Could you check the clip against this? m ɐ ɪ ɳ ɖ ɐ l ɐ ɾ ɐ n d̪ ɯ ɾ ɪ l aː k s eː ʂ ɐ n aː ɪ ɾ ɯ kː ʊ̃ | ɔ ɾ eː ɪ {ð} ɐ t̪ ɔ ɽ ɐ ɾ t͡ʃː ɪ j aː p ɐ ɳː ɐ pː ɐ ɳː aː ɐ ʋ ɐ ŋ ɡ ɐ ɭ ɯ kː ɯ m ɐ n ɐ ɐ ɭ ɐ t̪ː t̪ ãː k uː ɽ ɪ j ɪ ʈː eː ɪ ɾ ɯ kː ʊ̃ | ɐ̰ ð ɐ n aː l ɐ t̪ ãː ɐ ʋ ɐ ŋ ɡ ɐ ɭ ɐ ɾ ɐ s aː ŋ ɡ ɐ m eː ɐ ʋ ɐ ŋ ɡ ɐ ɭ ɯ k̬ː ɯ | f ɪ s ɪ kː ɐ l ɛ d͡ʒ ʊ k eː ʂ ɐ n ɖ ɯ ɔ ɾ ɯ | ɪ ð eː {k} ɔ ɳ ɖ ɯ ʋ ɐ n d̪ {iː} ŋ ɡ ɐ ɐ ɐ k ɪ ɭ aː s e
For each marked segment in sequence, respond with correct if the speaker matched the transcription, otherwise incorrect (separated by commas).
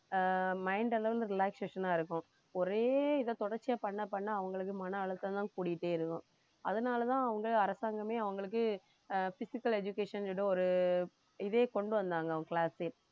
correct, correct, incorrect